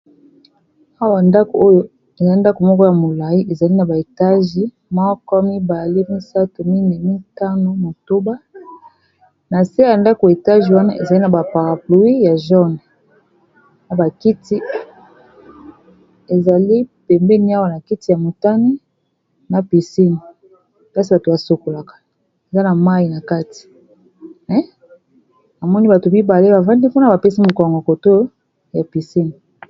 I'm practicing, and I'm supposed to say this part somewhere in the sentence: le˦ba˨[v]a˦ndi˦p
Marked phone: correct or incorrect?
correct